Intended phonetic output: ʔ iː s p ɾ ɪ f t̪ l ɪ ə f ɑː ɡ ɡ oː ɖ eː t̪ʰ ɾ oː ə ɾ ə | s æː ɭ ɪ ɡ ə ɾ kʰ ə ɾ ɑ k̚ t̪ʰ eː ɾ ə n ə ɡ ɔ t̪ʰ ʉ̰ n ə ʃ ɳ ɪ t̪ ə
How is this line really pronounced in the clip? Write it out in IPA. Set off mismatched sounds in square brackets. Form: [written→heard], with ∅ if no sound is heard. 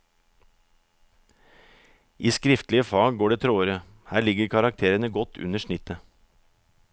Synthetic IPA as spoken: ʔ iː s [p→k] ɾ ɪ f t̪ l ɪ ə f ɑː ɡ ɡ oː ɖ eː t̪ʰ ɾ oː ə ɾ ə | [s→h] æː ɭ ɪ ɡ ə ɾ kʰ [ə→ɑ] ɾ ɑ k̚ t̪ʰ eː ɾ ə n ə ɡ ɔ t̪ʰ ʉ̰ n ə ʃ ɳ ɪ t̪ ə